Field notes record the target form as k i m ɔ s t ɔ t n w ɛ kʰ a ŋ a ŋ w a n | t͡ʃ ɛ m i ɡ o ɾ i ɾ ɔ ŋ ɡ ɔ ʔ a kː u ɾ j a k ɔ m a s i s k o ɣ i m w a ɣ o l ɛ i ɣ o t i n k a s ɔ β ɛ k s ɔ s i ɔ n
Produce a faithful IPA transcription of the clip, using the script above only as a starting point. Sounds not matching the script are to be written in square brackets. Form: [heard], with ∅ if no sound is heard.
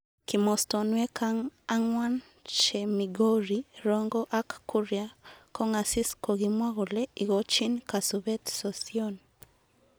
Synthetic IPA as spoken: k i m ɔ s t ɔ [∅] n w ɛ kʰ a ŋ a ŋ w a n | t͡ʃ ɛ m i ɡ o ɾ i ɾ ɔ ŋ ɡ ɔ ʔ a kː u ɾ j a k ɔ [ŋ] a s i s k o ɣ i m w a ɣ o l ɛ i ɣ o [t͡ʃ] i n k a s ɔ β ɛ [t] s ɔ s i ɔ n